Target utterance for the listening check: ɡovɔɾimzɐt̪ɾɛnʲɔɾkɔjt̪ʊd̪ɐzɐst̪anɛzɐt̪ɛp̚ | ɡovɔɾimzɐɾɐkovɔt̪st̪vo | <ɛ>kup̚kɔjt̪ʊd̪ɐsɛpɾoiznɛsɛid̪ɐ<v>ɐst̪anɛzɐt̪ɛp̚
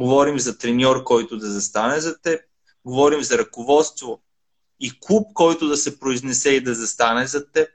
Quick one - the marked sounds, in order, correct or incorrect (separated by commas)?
incorrect, incorrect